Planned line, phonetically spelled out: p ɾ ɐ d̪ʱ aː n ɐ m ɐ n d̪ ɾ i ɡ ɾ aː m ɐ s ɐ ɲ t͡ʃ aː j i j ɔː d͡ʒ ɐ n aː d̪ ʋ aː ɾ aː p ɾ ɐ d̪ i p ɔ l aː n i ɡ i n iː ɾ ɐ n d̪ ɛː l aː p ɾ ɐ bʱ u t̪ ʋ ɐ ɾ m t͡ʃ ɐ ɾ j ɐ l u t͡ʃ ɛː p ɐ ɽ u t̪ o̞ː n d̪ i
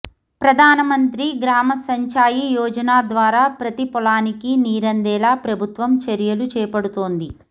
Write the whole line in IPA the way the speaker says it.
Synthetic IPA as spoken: p ɾ ɐ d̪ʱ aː n ɐ m ɐ n t̪ ɾ i ɡ ɾ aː m ɐ s ɐ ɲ t͡ʃ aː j i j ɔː d͡ʒ ɐ n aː d̪ ʋ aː ɾ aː p ɾ ɐ t̪ i p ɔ l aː n i k i n iː ɾ ɐ n d̪ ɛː l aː p ɾ ɐ bʱ u t̪ ʋ ɐ m t͡ʃ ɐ ɾ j ɐ l u t͡ʃ ɛː p ɐ ɽ u t̪ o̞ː n d̪ i

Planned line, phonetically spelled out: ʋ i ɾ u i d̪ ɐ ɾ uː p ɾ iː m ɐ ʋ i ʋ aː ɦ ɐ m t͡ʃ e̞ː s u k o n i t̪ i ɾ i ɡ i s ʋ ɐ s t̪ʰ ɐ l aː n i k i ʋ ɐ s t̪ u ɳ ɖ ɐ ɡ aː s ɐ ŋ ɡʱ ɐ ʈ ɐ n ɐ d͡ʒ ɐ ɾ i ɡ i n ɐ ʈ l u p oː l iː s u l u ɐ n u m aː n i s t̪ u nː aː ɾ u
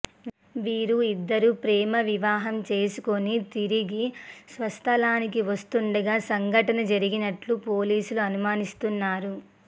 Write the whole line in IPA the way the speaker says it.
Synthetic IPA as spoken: ʋ iː ɾ u i d̪ː ɐ ɾ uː p ɾ ɛː m ɐ ʋ i ʋ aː ɦ ɐ m t͡ʃ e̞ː s u k o n i t̪ i ɾ i ɡ i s ʋ ɐ s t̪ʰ ɐ l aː n i k i ʋ ɐ s t̪ u ɳ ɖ ɐ ɡ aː s ɐ ŋ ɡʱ ɐ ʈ ɐ n ɐ d͡ʒ ɐ ɾ i ɡ i n ɐ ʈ l u p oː l iː s u l u ɐ n u m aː n i s t̪ u nː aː ɾ u

